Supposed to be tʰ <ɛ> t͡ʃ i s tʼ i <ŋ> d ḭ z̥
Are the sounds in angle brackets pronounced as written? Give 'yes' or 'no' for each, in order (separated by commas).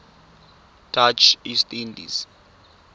no, no